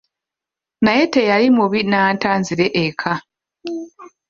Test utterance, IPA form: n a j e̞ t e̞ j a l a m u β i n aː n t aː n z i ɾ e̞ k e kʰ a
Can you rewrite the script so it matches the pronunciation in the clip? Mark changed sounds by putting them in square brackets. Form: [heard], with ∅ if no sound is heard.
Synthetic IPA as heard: n a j e̞ t e̞ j a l [i] m u β i n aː n t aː n z i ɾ e̞ [ʔ] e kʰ a